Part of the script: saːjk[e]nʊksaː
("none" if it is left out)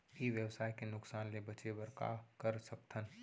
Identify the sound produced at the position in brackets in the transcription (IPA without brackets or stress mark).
e